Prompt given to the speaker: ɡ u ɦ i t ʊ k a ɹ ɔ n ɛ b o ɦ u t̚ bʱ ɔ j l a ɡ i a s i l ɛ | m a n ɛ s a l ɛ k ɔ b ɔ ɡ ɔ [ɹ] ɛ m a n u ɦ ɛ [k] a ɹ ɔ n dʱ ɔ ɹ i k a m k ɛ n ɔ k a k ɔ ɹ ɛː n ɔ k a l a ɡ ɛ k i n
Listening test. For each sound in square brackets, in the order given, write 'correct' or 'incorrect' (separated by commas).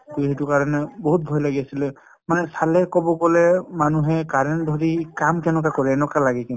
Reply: incorrect, correct